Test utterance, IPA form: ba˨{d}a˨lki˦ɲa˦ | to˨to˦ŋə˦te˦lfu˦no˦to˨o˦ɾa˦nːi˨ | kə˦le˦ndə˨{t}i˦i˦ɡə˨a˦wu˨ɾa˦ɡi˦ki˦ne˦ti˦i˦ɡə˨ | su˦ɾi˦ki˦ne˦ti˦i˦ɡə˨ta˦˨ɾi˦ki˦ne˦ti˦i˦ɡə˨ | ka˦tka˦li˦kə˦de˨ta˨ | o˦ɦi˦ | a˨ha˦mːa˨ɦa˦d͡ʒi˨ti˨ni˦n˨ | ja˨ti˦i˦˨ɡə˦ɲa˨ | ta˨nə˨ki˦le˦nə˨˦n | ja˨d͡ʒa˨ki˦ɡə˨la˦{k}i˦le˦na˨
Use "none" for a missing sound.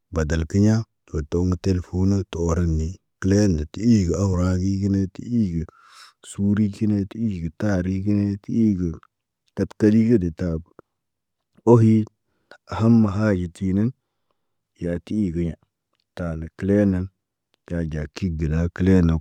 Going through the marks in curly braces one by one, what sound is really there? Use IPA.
d, t, k

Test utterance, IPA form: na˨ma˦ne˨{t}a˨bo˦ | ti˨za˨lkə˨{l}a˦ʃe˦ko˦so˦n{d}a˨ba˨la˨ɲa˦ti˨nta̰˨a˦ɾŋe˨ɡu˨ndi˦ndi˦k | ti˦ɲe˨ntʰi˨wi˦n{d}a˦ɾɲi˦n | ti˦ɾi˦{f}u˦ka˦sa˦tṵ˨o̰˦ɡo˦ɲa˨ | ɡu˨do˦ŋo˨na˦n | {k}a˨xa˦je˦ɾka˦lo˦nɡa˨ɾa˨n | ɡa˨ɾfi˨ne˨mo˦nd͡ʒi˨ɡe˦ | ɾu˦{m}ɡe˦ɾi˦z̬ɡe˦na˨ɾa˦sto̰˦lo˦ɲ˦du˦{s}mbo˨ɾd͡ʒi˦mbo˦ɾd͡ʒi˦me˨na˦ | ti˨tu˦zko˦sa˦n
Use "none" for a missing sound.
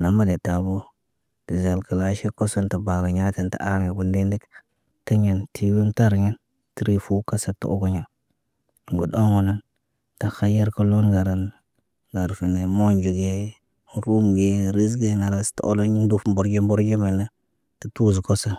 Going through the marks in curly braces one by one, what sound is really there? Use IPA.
t, l, t, t, f, t, m, f

